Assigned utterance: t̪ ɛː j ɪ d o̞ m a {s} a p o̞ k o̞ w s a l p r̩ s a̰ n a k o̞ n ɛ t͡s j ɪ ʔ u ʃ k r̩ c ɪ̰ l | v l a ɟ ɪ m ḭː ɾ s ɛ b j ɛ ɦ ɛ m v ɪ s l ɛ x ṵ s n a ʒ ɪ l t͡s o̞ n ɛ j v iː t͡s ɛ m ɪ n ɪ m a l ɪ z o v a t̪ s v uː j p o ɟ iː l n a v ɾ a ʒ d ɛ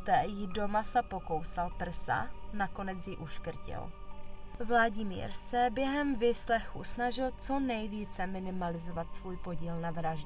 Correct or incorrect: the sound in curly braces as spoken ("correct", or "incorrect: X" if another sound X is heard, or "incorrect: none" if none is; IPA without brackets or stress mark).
correct